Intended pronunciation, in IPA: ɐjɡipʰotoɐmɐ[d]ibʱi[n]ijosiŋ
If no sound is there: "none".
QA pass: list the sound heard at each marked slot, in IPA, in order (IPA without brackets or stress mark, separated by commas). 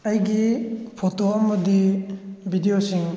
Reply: d, d